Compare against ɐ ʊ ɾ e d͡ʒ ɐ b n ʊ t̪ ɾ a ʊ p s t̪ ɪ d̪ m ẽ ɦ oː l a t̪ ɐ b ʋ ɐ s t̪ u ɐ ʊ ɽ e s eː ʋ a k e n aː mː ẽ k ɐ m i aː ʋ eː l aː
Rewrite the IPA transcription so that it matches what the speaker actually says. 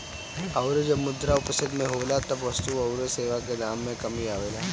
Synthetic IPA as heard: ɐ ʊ ɾ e d͡ʒ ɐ b m ʊ d̪ ɾ a ʊ p s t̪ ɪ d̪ m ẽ ɦ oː l a t̪ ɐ b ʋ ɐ s t̪ u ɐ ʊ ɾ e s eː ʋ a k e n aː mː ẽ k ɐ m i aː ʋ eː l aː